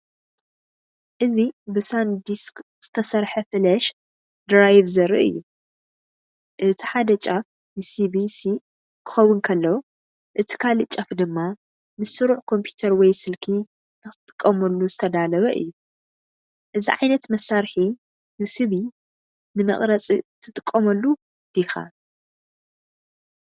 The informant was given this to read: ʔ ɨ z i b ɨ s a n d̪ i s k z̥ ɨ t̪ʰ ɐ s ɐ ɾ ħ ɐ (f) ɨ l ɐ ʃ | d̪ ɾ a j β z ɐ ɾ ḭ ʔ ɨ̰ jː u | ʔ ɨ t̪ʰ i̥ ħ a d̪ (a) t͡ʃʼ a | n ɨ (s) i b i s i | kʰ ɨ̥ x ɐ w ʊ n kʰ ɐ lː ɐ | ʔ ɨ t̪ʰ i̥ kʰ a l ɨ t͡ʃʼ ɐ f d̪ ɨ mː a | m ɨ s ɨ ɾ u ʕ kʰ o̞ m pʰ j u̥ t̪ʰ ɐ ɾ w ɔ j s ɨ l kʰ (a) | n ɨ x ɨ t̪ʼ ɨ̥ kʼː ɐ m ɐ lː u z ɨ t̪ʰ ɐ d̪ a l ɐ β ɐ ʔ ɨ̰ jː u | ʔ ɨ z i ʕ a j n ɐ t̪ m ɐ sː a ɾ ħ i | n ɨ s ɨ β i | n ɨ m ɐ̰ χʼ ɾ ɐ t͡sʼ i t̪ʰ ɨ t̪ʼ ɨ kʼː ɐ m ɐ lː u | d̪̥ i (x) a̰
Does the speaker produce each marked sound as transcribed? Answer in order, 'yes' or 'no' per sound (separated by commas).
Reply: yes, no, yes, no, yes